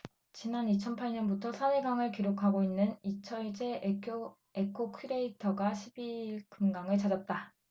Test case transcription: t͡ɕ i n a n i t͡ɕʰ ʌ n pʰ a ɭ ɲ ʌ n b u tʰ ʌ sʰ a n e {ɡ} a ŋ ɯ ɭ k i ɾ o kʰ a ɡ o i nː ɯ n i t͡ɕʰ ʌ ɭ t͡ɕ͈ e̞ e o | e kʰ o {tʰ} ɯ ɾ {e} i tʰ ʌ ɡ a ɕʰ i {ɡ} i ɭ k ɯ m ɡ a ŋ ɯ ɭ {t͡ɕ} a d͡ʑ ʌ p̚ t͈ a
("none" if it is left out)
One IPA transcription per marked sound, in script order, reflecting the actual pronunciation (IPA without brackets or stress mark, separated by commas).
ɡ, kʰ, e, b, t͡ɕ